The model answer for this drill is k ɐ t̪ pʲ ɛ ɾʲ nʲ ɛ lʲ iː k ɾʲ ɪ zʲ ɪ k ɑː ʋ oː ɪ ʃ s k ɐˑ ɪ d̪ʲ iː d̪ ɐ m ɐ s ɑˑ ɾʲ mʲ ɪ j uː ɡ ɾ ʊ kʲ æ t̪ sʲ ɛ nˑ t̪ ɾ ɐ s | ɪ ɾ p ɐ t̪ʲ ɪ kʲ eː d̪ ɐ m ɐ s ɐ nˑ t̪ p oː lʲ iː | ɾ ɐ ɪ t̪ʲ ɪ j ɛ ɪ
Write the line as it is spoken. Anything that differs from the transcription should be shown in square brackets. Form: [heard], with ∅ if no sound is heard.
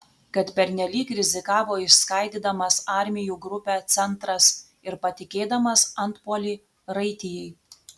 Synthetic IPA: k ɐ t̪ pʲ ɛ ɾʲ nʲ ɛ lʲ iː k ɾʲ ɪ zʲ ɪ k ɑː ʋ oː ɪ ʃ s k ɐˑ ɪ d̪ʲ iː d̪ ɐ m ɐ s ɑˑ ɾʲ mʲ ɪ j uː ɡ ɾ ʊ [pʲ] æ t̪ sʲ ɛ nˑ t̪ ɾ ɐ s | ɪ ɾ p ɐ t̪ʲ ɪ kʲ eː d̪ ɐ m ɐ s ɐ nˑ t̪ p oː lʲ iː | ɾ ɐ ɪ t̪ʲ ɪ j ɛ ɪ